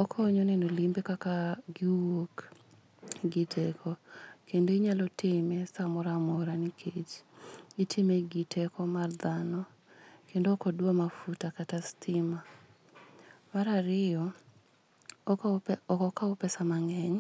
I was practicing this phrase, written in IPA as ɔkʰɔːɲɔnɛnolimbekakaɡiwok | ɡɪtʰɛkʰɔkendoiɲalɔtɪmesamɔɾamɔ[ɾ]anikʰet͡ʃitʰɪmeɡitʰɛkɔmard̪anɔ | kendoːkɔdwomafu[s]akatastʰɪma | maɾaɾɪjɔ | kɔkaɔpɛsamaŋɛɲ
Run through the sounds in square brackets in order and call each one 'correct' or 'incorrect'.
correct, incorrect: t

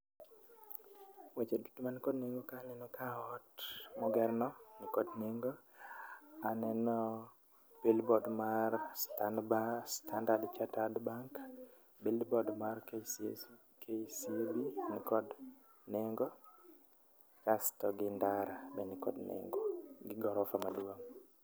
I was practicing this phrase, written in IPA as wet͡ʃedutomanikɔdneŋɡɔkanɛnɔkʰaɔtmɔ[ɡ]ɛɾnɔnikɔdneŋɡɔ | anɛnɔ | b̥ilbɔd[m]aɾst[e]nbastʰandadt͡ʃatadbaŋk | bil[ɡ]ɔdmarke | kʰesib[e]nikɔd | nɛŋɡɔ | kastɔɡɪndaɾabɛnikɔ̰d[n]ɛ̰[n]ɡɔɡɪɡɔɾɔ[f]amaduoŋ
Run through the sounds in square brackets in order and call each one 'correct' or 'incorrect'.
correct, correct, incorrect: a, incorrect: b, incorrect: i, correct, incorrect: ŋ, correct

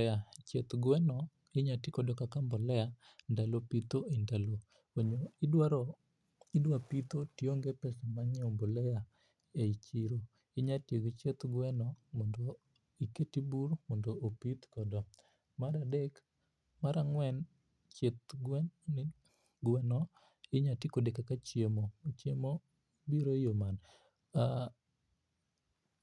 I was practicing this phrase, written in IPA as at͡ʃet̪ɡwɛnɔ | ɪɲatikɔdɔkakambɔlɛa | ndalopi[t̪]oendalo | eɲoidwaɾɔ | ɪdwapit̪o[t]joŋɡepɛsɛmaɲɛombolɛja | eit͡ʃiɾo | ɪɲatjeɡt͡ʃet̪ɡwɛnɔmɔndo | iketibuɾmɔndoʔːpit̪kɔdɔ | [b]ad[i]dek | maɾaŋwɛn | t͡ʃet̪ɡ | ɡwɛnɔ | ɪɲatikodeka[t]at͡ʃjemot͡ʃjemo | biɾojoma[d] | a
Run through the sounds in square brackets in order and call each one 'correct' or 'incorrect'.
correct, correct, incorrect: m, incorrect: a, incorrect: k, incorrect: n

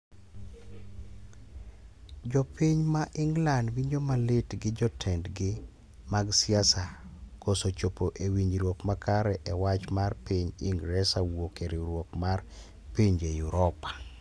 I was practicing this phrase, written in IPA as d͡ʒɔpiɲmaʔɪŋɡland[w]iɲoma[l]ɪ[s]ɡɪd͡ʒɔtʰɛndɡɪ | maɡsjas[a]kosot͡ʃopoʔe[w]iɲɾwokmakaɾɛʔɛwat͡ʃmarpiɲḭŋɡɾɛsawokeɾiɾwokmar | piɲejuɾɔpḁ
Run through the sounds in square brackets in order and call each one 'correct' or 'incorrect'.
correct, correct, incorrect: t, correct, correct

